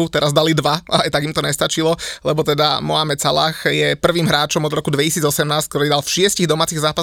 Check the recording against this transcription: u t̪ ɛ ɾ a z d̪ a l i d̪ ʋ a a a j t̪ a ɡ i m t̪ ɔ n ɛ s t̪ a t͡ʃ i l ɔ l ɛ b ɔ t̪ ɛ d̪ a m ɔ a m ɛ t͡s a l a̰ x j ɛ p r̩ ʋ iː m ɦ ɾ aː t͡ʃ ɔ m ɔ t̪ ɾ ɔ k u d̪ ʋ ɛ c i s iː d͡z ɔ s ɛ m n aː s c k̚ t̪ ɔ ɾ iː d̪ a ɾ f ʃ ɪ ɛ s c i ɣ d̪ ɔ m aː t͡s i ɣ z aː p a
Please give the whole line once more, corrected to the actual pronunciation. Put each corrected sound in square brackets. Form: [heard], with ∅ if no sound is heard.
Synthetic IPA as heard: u t̪ ɛ ɾ a z d̪ a l i d̪ ʋ a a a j t̪ a ɡ i m t̪ ɔ [ɲ] ɛ s t̪ a t͡ʃ i l ɔ l ɛ b ɔ t̪ ɛ d̪ a m ɔ a m ɛ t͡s a l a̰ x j ɛ p r̩ ʋ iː m ɦ ɾ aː t͡ʃ ɔ m ɔ [d̪] ɾ ɔ k u d̪ ʋ ɛ c i s iː d͡z ɔ s ɛ m n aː s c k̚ t̪ ɔ ɾ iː d̪ a [l] f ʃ ɪ ɛ s c i ɣ d̪ ɔ m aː t͡s i ɣ z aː p a